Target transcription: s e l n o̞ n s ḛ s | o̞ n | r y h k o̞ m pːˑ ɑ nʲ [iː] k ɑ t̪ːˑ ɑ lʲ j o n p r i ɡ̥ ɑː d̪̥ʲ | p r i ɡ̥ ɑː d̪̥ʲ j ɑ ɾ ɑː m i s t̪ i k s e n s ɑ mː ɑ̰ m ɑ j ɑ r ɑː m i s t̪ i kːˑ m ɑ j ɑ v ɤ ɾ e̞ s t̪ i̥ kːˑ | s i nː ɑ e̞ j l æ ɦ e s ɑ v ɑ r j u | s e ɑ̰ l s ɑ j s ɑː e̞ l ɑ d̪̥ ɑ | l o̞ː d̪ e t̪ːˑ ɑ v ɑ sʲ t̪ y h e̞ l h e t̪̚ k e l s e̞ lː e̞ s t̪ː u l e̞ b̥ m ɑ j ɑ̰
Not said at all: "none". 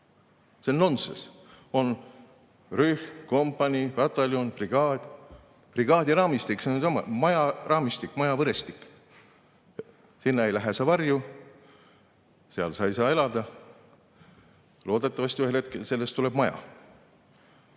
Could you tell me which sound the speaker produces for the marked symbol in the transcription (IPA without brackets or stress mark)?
i